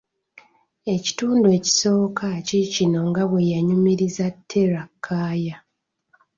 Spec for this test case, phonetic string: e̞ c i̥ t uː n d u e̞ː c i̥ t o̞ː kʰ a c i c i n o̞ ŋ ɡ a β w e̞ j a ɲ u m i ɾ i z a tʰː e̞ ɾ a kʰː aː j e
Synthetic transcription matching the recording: e̞ c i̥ t uː n d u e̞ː c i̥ s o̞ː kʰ a c i c i n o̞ ŋ ɡ a β w e̞ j a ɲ u m i ɾ i z a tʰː e̞ ɾ a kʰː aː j a

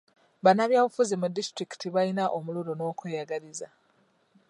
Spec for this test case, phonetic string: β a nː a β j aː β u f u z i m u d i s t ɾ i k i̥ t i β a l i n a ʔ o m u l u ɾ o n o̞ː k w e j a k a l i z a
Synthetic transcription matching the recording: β a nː a β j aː β u f u z i m u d i s t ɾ i k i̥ t i β a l i n a ʔ o m u l u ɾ o n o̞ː k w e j a ɡ a l i z a

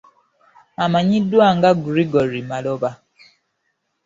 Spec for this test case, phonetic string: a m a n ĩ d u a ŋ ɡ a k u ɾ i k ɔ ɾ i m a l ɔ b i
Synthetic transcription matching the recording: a m a ɲ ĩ d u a ŋ ɡ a ɡ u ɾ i ɡ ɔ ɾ i m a l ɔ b a

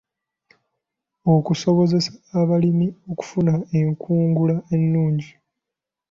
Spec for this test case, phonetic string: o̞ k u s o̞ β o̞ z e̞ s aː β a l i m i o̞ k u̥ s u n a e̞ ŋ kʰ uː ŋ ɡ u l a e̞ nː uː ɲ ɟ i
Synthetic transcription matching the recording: o̞ k u s o̞ β o̞ z e̞ s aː β a l i m i o̞ k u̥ f u n a e̞ ŋ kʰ uː ŋ ɡ u l a e̞ nː uː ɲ ɟ i

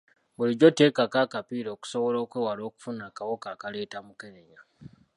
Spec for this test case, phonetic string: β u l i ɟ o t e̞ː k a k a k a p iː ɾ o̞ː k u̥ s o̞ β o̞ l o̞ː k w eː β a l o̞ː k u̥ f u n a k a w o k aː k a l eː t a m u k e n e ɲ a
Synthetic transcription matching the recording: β u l i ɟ o t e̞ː k a k a k a p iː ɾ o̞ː k u̥ s o̞ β o̞ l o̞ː k w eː w a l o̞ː k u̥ f u n a k a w o k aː k a l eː t a m u k e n e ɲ a

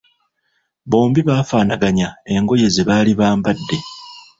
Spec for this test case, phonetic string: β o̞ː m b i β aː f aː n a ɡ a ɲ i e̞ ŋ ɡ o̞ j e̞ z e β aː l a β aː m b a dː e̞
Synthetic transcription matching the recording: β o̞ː m b i β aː f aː n a ɡ a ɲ a e̞ ŋ ɡ o̞ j e̞ z e β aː l i β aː m b a dː e̞

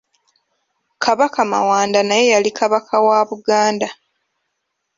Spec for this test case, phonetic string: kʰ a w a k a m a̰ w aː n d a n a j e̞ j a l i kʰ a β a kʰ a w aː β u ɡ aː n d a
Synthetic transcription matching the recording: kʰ a β a k a m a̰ w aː n d a n a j e̞ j a l i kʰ a β a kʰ a w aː β u ɡ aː n d a

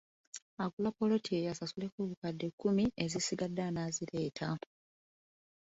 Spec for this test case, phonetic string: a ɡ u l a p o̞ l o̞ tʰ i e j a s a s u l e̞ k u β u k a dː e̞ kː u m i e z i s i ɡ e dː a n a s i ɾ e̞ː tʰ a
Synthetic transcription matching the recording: a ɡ u l a p o̞ l o̞ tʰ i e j a s a s u l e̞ k u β u k a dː e̞ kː u m i e z i s i ɡ a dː a n a z i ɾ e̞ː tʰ a

